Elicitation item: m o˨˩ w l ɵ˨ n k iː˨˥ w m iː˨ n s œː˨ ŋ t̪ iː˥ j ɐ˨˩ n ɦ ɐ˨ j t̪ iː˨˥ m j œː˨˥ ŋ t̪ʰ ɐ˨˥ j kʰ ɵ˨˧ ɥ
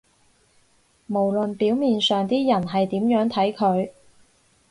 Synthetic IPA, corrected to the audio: m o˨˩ w l ɵ˨ n p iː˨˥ w m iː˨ n s œː˨ ŋ t̪ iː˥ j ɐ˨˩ n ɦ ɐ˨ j t̪ iː˨˥ m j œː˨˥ ŋ t̪ʰ ɐ˨˥ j kʰ ɵ˨˧ ɥ